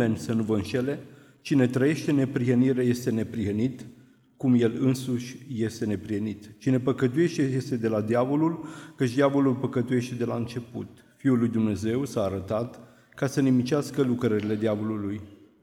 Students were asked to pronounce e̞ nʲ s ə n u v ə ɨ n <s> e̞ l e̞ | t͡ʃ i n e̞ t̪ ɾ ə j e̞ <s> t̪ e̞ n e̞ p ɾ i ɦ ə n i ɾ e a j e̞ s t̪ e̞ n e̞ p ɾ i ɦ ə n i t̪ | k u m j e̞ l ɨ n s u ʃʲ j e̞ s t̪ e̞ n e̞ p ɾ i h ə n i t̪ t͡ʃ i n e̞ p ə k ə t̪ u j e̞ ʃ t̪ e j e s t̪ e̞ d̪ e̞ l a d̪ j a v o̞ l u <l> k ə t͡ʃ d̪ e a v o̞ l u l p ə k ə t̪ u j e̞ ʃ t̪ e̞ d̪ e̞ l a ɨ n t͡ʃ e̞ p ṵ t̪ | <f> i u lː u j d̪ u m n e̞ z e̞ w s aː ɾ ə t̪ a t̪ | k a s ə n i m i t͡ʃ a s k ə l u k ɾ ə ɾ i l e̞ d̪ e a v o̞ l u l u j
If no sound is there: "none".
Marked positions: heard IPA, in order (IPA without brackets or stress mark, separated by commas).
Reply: ʃ, ʃ, l, f